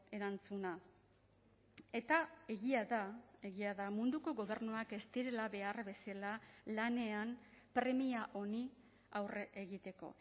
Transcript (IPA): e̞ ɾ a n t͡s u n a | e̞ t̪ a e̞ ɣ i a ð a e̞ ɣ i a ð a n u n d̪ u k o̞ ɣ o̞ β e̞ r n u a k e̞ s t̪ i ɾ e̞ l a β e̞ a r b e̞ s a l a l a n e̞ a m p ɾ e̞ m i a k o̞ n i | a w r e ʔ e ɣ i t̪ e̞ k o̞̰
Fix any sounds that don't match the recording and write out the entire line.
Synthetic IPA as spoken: e̞ ɾ a n t͡s u n a | e̞ t̪ a e̞ ɣ i a ð a e̞ ɣ i a ð a m u n d̪ u k o̞ ɣ o̞ β e̞ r n u a k e̞ s t̪ i ɾ e̞ l a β e̞ a r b e̞ s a l a l a n e̞ a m p ɾ e̞ m i a ʔ o̞ n i | a w r e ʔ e ɣ i t̪ e̞ k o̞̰